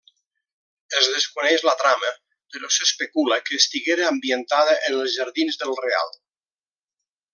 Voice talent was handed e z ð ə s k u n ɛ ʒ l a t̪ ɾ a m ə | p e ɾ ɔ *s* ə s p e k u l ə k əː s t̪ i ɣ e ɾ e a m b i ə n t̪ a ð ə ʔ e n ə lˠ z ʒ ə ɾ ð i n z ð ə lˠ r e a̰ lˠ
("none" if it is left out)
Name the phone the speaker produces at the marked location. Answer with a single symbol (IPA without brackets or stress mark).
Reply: s